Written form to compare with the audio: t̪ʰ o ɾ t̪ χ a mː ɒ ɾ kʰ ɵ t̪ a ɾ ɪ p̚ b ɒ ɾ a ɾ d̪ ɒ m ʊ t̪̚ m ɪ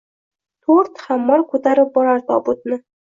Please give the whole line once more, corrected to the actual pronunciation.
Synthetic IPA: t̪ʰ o ɾ t̪ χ a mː ɒ ɾ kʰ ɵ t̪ a ɾ ɪ p̚ b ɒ ɾ a ɾ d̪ ɒ b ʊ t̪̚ n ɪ